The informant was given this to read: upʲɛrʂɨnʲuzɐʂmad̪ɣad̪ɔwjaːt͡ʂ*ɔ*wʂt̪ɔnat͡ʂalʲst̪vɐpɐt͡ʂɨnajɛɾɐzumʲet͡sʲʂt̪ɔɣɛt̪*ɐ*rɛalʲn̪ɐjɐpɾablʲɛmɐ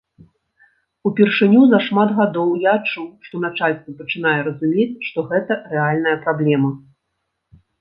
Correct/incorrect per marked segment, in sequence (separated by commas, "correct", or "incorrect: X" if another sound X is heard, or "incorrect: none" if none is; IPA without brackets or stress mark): incorrect: u, correct